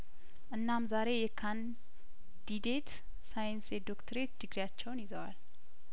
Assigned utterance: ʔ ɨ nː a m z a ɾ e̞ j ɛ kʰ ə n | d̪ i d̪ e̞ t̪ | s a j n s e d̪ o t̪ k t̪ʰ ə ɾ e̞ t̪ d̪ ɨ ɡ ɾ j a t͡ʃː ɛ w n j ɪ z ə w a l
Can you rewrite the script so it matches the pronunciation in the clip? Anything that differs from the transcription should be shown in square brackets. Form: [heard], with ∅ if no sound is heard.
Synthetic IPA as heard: ʔ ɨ nː a m z a ɾ e̞ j ɛ kʰ [a] n | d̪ i d̪ e̞ t̪ | s a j n s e d̪ o [∅] k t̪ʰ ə ɾ e̞ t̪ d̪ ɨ ɡ ɾ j a t͡ʃː ɛ w n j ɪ z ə w a l